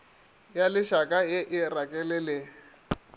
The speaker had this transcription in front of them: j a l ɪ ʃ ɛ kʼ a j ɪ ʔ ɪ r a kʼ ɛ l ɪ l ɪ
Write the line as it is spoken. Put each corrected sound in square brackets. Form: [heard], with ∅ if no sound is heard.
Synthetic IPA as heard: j a l ɪ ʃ [a] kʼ a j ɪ ʔ ɪ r a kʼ ɛ l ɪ l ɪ